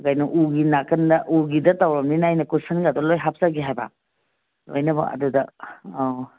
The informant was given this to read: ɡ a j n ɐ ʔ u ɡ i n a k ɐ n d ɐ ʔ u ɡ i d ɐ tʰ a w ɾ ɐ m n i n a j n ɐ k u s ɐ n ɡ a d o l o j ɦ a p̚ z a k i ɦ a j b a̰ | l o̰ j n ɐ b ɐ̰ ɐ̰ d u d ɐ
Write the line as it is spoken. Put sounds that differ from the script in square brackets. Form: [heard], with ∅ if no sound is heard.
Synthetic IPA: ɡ a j n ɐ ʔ u ɡ i n a k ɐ n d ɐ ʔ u ɡ i d ɐ [t] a w ɾ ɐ m n i n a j n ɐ k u s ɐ n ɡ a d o l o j ɦ a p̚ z a [ɡ] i ɦ a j b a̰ | l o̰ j n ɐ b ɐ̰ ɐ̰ d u d ɐ